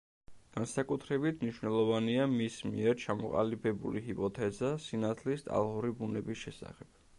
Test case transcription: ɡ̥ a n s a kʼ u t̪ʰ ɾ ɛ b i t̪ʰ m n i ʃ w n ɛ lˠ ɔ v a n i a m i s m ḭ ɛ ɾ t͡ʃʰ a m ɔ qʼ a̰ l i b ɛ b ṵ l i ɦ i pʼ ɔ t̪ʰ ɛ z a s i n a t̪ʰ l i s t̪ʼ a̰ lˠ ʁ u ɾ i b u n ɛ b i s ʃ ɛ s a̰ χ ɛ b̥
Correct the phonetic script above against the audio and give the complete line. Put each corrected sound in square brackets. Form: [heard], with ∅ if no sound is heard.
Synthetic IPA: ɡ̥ a n s a kʼ u t̪ʰ ɾ ɛ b i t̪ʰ m n i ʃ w n ɛ lˠ ɔ v a n i a m i s m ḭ ɛ ɾ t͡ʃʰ a m ɔ qʼ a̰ l i b ɛ b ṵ l i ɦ i pʼ ɔ t̪ʰ ɛ z a s i n a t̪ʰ l i s t̪ʼ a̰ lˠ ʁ u ɾ i b u n ɛ b i s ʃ ɛ s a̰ χ ɛ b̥